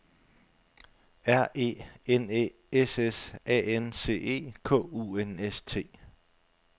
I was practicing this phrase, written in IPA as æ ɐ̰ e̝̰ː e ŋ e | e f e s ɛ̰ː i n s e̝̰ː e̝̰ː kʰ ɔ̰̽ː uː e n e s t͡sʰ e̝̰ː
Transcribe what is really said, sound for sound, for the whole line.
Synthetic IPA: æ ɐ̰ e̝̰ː e n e | e s e s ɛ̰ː e n s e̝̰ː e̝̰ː kʰ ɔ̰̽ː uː e n e s t͡sʰ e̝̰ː